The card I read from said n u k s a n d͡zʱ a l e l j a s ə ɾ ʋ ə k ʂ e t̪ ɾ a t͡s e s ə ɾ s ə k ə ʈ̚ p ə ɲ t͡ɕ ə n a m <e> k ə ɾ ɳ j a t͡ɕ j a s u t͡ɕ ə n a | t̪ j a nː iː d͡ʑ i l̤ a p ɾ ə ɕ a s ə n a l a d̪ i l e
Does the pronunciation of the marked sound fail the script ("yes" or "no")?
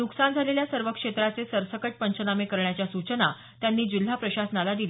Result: no